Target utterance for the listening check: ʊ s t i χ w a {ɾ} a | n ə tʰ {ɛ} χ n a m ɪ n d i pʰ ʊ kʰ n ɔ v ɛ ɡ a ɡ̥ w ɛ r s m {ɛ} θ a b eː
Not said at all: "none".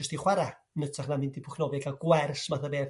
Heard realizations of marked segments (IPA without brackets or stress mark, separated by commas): ɾ, a, a